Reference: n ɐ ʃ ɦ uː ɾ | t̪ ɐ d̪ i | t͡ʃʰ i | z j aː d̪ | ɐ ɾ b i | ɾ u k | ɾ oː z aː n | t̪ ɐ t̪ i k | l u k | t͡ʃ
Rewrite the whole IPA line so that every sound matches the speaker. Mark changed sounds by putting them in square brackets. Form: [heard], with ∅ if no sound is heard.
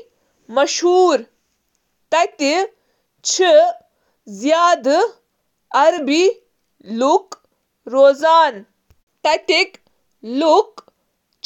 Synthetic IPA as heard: [m] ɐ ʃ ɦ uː ɾ | t̪ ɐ [t̪] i | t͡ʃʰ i | z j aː d̪ | ɐ ɾ b i | [l] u k | ɾ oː z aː n | t̪ ɐ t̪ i k | l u k | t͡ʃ